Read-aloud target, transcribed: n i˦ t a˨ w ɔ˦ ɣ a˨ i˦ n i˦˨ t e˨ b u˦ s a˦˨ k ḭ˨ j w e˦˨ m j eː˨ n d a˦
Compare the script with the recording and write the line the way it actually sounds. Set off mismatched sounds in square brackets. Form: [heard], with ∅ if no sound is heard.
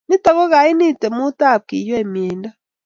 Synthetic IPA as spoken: n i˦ t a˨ [ɣ] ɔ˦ ɣ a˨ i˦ n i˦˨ t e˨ [m] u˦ [t] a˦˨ k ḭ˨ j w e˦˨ m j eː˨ n d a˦

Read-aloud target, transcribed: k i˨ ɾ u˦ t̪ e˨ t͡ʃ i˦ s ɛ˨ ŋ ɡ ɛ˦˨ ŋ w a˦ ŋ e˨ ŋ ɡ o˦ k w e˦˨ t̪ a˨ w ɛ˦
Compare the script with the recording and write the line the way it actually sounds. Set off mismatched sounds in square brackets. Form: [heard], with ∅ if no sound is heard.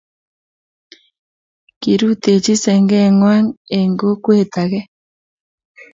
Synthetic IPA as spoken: k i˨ ɾ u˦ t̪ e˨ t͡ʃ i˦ s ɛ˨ ŋ ɡ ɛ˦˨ ŋ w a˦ ŋ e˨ ŋ ɡ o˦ k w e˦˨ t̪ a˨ [ɣ] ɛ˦

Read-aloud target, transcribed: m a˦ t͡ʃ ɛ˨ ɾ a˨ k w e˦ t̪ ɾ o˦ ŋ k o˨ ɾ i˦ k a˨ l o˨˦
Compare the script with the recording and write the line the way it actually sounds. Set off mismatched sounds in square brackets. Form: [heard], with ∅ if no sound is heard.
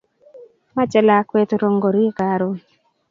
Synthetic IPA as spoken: m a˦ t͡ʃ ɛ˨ [l] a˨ k w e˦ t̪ ɾ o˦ ŋ [ɡ] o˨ ɾ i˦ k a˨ [ɾ] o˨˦

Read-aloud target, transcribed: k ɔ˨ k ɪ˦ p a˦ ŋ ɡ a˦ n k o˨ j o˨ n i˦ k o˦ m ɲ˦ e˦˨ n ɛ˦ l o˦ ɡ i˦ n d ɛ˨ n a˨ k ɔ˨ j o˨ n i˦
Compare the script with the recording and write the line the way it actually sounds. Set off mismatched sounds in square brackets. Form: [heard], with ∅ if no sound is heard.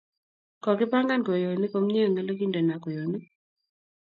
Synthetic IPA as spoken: k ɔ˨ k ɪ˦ p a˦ ŋ ɡ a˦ n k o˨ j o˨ n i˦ k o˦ m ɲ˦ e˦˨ [ŋ] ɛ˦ l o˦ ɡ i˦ n d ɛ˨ n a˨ k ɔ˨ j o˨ n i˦

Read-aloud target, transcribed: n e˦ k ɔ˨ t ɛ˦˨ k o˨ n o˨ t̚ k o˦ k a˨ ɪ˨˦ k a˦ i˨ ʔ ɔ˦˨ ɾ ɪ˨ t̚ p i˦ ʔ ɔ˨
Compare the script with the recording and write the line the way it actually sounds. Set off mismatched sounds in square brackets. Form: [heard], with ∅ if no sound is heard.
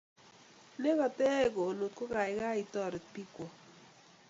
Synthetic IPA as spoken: n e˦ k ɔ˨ t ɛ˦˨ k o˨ n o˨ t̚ k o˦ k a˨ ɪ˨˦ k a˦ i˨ [t] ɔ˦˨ ɾ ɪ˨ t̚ p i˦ [k] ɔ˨

